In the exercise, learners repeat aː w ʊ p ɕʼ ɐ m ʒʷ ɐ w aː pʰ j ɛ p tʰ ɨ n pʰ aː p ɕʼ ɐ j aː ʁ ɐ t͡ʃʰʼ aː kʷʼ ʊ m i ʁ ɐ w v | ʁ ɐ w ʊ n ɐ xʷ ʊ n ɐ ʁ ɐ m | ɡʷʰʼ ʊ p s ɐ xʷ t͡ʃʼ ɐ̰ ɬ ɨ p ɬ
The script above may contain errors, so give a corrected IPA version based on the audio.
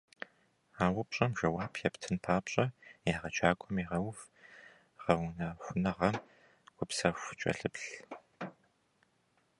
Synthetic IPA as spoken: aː w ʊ p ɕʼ ɐ m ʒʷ ɐ w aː pʰ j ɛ p tʰ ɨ n pʰ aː p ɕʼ ɐ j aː ʁ ɐ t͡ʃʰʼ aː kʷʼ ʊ m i ʁ ɐ w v | ʁ ɐ w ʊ n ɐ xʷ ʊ n ɐ ʁ ɐ m | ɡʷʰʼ ʊ p s ɐ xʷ t͡ʃʼ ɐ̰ ɬ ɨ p ɬ